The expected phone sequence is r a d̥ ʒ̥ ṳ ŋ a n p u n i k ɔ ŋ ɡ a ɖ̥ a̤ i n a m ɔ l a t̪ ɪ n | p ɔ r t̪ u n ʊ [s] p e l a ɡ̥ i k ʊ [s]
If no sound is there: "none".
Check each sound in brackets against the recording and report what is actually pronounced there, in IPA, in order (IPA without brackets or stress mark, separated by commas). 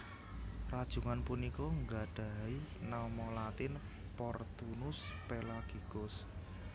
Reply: s, s